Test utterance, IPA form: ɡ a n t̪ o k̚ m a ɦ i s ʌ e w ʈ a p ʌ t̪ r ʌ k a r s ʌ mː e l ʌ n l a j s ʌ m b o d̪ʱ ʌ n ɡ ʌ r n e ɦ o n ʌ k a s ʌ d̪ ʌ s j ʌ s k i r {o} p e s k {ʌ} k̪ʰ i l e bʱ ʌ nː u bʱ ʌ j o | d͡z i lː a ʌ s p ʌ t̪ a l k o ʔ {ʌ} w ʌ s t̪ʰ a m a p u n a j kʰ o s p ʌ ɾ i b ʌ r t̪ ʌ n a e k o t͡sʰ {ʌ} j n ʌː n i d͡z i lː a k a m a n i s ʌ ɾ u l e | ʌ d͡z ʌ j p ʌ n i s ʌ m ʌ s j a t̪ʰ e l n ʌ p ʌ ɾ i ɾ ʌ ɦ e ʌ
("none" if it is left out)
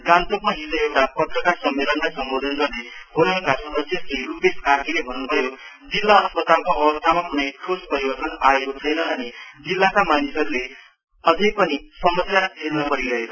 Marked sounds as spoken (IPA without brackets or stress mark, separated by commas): u, a, ʌ, ʌ